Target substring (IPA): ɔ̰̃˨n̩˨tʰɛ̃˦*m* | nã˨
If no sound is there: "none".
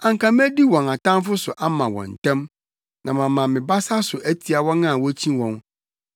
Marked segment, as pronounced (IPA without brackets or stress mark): m